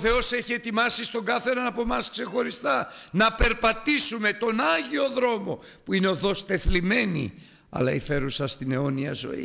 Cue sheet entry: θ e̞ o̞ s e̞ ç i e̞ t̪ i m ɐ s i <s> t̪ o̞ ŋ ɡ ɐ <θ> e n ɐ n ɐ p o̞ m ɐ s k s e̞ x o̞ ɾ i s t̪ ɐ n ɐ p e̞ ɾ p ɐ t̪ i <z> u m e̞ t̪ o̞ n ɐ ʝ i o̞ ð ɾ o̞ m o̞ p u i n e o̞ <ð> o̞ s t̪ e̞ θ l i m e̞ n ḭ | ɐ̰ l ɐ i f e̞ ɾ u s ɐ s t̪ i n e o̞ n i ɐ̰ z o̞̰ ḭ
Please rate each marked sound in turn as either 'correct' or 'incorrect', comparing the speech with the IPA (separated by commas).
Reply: correct, correct, incorrect, correct